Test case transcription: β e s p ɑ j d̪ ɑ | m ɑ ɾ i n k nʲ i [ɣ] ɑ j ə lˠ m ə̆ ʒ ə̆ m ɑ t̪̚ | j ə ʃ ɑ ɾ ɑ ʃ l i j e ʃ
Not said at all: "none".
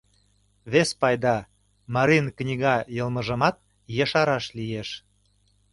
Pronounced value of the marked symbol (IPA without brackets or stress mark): ɣ